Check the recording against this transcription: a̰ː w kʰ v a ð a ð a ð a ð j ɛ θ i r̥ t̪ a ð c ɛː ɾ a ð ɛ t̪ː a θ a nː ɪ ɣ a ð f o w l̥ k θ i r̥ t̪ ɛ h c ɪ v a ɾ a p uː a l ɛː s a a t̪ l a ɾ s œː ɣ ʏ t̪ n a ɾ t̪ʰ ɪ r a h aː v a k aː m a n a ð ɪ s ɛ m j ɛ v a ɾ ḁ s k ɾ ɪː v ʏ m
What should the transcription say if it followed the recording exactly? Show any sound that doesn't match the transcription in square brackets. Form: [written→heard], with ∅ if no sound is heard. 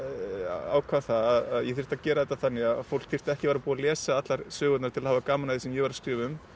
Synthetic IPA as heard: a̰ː w kʰ v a [ð→θ] a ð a ð a ð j ɛ θ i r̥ t̪ a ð c ɛː ɾ a ð ɛ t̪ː a θ a nː ɪ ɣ a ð f o w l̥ k θ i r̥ t̪ ɛ h c ɪ v a ɾ a p uː a l ɛː s a a t̪ l a ɾ s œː ɣ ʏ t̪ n a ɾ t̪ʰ ɪ [r→l] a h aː v a k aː m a n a ð ɪ s ɛ m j ɛ v a ɾ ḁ s k ɾ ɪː v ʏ m